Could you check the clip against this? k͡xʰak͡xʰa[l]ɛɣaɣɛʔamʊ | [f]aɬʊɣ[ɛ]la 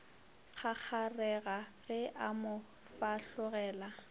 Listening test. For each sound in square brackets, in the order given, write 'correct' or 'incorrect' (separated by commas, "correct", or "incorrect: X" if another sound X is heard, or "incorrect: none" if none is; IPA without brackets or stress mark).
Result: incorrect: r, correct, incorrect: ɛː